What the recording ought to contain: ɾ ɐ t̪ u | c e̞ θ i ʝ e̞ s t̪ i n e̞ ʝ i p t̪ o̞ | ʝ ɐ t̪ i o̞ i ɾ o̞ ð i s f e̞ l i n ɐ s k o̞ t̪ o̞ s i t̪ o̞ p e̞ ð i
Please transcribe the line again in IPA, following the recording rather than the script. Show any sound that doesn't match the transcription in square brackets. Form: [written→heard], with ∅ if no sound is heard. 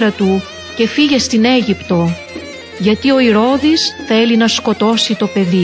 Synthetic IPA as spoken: ɾ ɐ t̪ u | c e̞ [θ→f] i ʝ e̞ s t̪ i n e̞ ʝ i p t̪ o̞ | ʝ ɐ t̪ i o̞ i ɾ o̞ ð i s [f→θ] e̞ l i n ɐ s k o̞ t̪ o̞ s i t̪ o̞ p e̞ ð i